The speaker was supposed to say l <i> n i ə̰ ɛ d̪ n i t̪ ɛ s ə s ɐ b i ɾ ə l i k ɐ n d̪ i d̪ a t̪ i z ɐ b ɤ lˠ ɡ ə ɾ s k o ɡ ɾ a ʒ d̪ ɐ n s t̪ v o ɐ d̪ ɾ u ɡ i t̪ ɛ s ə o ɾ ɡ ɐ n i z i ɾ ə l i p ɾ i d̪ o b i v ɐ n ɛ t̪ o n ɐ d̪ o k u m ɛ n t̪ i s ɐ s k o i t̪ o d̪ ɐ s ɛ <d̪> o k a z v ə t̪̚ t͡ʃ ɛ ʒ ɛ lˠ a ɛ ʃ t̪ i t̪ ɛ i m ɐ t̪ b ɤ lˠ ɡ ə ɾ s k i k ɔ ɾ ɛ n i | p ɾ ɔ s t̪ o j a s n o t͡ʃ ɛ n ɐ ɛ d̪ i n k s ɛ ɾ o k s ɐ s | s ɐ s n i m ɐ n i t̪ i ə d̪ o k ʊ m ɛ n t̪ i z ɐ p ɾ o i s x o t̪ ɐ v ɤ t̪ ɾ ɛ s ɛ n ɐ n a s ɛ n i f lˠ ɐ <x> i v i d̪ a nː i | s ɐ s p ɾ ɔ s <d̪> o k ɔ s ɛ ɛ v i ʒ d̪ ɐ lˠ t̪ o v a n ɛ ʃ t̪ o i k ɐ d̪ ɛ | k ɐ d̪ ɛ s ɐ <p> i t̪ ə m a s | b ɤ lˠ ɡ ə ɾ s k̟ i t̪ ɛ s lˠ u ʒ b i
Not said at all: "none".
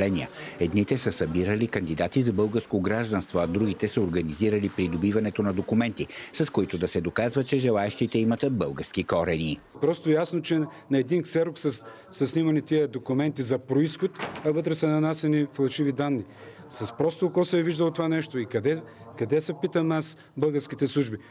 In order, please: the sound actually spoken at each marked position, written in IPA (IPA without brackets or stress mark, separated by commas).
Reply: ɛ, d̪, ʃ, t̪, p